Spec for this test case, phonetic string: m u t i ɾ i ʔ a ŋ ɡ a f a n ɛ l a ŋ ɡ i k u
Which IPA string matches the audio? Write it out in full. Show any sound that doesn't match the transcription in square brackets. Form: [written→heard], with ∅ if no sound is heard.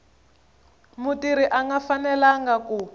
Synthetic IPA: m u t i ɾ i ʔ a ŋ ɡ a f a n ɛ l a ŋ ɡ [i→a] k u